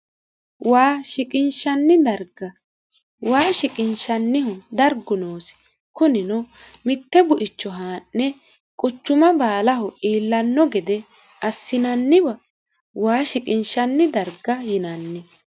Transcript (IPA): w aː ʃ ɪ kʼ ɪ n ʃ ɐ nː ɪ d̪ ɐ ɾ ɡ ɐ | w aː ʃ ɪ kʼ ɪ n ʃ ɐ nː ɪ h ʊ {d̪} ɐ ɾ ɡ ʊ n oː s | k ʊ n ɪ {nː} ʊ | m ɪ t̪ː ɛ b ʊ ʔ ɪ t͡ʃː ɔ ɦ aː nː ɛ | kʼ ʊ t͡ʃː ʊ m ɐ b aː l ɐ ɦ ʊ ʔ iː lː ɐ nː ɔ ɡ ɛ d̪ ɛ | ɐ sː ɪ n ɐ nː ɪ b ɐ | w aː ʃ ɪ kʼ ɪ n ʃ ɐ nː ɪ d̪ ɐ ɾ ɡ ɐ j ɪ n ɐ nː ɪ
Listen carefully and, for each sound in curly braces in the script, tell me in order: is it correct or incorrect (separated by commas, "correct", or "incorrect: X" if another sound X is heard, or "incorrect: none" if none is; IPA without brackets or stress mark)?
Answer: correct, incorrect: n